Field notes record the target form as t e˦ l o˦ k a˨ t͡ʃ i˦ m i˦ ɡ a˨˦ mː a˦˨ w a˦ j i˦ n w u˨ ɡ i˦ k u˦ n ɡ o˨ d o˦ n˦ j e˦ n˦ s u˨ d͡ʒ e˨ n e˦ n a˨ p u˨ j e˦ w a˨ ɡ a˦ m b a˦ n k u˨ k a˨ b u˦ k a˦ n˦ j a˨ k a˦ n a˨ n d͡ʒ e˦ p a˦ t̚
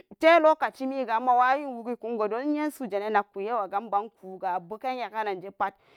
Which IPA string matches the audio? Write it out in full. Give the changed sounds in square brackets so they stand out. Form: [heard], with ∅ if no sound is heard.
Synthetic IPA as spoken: t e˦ l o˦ k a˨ t͡ʃ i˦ m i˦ ɡ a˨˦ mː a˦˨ w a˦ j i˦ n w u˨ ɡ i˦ k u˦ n ɡ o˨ d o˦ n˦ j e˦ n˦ s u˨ d͡ʒ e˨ n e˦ n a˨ [k] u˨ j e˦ w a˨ ɡ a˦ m b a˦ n k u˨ [ɡ] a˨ b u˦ k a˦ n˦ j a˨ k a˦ n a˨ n d͡ʒ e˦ p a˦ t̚